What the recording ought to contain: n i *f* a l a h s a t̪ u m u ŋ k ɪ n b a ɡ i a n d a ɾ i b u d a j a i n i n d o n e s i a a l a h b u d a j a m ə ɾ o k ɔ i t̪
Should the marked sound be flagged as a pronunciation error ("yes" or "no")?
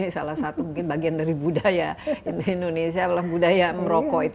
yes